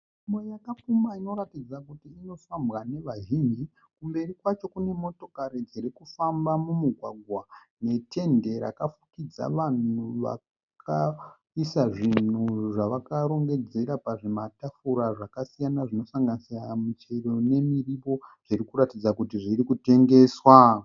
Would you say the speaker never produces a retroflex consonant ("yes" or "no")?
no